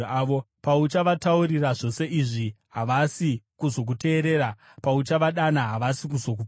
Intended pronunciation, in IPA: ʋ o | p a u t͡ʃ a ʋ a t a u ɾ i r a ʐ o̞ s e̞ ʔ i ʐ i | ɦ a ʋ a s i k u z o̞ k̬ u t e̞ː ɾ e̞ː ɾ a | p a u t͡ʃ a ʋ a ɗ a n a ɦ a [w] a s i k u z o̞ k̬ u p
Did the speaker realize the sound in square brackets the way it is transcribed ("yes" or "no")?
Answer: no